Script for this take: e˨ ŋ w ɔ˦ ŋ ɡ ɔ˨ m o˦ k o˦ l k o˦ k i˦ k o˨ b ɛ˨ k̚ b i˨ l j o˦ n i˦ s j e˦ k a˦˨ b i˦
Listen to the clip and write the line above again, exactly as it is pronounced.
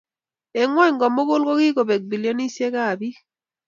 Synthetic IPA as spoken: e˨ ŋ w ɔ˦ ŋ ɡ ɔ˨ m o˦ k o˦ l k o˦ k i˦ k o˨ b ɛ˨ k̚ b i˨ l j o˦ n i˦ s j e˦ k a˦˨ b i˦